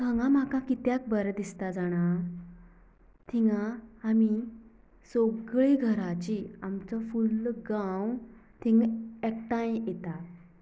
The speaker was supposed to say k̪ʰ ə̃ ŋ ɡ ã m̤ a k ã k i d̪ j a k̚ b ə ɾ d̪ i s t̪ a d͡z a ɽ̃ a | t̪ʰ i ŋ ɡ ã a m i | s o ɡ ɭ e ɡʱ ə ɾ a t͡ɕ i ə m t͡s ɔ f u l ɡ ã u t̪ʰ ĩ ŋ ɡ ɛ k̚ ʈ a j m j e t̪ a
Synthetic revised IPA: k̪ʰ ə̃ ŋ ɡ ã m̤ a k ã k i t̪ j a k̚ b ə ɾ d̪ i s t̪ a d͡z a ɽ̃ a | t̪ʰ i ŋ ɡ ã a m i | s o ɡ ɭ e ɡʱ ə ɾ a t͡ɕ i a m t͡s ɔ f u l ɡ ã w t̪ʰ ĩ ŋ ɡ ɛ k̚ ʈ a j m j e t̪ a